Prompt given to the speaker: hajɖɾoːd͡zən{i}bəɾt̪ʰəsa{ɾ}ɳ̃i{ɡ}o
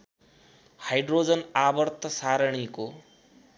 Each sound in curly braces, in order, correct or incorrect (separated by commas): incorrect, correct, incorrect